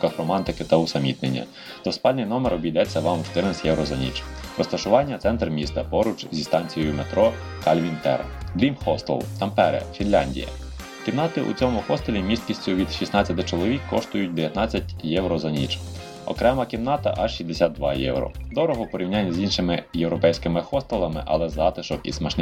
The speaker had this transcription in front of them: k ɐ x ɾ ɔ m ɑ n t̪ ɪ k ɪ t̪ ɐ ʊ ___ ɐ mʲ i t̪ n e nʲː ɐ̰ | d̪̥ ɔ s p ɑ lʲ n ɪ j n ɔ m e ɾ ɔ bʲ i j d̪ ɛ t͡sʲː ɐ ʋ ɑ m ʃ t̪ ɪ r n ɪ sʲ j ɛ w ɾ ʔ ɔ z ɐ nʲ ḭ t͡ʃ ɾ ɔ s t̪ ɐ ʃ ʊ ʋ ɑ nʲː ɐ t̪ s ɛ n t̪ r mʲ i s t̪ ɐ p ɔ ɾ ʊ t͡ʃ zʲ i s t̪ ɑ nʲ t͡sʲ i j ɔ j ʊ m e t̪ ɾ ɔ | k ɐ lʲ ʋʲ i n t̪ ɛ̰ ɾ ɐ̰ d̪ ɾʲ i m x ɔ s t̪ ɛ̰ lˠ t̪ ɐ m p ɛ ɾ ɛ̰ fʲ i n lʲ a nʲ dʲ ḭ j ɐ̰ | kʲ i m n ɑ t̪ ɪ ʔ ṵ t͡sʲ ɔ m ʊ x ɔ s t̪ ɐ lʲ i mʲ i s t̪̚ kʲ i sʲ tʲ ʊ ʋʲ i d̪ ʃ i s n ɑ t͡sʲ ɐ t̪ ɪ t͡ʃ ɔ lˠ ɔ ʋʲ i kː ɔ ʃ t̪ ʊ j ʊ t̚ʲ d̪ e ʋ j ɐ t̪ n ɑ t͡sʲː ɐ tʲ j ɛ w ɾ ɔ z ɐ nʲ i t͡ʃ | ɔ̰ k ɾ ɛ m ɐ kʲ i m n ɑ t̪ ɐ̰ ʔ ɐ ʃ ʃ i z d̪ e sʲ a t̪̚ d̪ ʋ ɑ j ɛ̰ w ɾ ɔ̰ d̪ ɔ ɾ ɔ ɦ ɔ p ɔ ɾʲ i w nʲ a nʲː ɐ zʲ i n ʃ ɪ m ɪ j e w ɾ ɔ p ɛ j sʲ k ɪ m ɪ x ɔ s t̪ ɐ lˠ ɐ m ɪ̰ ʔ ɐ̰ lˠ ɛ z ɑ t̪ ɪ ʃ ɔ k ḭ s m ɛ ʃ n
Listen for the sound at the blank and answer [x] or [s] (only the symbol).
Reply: s